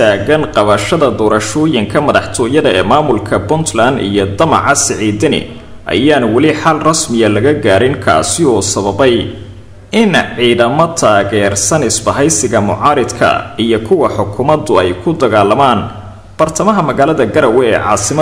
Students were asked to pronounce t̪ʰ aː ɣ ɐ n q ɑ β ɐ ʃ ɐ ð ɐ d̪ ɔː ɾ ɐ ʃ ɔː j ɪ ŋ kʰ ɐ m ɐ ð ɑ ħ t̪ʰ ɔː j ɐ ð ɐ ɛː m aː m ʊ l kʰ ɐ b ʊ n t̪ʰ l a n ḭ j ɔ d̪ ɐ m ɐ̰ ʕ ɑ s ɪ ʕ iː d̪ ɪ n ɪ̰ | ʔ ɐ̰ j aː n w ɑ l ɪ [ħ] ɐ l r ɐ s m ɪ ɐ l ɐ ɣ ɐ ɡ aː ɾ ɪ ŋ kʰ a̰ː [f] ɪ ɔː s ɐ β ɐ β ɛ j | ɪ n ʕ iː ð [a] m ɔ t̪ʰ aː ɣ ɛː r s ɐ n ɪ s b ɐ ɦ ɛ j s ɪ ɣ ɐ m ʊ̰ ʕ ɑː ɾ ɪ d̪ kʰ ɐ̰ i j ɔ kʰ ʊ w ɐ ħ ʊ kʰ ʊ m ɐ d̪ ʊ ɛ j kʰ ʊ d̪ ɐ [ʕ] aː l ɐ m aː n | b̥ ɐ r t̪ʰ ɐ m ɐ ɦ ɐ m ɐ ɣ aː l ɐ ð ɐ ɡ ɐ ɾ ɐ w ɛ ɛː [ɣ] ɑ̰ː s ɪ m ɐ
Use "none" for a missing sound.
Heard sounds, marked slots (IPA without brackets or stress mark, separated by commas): ħ, s, ɐ, ɣ, ʕ